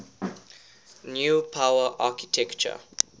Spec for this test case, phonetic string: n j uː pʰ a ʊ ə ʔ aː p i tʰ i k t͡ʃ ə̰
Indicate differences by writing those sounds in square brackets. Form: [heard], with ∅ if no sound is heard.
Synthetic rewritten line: n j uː pʰ a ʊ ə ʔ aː [k] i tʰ [ɛ] k t͡ʃ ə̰